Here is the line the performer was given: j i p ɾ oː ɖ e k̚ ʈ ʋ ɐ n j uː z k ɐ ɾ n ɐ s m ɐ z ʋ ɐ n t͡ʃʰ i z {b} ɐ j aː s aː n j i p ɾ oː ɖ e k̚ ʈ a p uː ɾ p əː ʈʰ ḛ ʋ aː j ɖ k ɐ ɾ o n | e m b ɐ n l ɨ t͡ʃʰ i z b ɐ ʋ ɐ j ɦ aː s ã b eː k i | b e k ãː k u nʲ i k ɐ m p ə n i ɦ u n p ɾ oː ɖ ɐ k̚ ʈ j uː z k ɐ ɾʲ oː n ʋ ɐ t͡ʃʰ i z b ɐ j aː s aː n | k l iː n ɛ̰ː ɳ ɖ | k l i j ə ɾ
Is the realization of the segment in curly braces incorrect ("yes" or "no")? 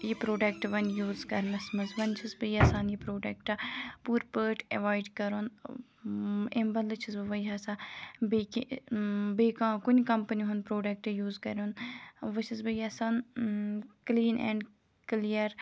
no